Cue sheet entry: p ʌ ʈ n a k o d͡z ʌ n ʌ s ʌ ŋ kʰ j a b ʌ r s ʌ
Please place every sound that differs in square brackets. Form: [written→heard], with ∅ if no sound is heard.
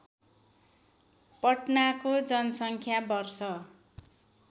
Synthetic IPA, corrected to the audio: p ʌ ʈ n a k o d͡z ʌ n ʌ s ʌ ŋ kʰ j a b ʌ r s ʌ